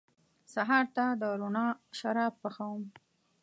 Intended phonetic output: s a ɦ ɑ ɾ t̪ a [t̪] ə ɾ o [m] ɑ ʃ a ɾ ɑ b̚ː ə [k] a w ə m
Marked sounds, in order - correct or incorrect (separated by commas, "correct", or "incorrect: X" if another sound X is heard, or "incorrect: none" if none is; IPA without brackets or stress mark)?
incorrect: d̪, incorrect: n, incorrect: x